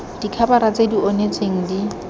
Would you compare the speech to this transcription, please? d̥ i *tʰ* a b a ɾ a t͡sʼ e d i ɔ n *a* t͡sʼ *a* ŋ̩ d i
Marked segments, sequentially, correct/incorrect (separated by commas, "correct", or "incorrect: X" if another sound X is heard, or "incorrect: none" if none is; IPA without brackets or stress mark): incorrect: kʰ, incorrect: e, incorrect: e